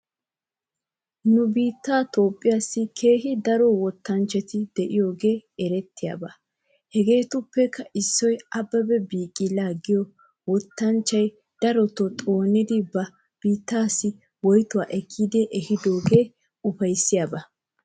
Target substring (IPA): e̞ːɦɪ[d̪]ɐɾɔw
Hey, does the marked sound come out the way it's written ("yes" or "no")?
yes